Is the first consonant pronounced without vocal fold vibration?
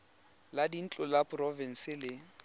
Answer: no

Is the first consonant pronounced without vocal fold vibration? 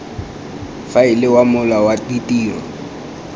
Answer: yes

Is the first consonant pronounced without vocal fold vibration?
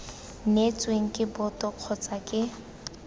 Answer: no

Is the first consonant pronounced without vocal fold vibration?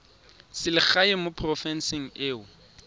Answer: yes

